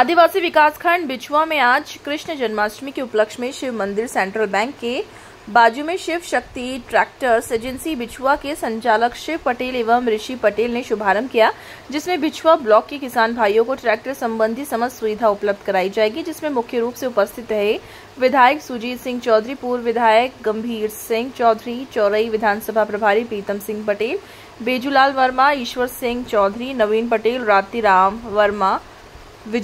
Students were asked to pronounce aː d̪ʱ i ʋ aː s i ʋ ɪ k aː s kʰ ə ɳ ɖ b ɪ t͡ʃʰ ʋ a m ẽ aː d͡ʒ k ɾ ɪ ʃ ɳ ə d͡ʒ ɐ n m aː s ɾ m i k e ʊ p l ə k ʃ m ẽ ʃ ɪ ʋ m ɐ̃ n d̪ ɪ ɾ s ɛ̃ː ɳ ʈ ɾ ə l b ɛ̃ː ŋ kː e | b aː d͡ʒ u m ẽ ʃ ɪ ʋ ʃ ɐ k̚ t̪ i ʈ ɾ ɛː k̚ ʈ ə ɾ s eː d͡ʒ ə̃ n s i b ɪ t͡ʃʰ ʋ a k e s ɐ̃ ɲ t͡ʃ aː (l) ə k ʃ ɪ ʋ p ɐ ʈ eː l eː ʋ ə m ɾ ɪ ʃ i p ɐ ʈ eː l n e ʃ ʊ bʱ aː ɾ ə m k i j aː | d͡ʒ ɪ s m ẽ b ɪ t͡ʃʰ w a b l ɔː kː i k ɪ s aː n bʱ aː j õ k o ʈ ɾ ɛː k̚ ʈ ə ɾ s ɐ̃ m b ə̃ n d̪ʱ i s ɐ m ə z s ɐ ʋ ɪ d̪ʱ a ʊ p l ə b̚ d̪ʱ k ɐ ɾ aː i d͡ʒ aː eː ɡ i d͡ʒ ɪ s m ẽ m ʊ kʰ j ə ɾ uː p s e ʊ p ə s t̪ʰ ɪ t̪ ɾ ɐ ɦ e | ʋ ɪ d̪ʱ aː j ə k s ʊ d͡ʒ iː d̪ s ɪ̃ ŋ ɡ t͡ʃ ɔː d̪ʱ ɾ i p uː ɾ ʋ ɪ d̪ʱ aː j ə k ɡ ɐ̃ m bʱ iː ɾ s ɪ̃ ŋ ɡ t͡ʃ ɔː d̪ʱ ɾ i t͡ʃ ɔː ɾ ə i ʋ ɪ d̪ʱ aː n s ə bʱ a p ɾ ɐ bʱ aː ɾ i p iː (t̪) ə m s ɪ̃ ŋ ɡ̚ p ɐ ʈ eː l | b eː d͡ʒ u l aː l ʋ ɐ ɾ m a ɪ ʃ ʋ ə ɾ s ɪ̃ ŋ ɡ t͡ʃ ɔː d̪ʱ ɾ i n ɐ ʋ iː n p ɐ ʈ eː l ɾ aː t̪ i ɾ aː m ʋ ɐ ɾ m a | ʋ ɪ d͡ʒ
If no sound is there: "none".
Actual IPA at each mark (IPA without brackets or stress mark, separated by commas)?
l, t̪